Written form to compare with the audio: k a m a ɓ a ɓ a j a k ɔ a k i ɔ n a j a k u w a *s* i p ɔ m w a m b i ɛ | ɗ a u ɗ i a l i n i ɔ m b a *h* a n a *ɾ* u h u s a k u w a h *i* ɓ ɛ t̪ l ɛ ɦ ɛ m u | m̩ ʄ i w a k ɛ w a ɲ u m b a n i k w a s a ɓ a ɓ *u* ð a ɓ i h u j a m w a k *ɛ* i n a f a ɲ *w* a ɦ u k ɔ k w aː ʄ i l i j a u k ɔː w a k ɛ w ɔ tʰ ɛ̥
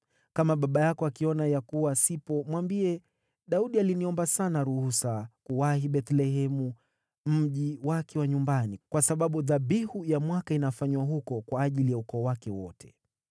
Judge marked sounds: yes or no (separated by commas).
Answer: yes, no, yes, yes, yes, no, yes